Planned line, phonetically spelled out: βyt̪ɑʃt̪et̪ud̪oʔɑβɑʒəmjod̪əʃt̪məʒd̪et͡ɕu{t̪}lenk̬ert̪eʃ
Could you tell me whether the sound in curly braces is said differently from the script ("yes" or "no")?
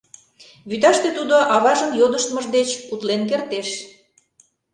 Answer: no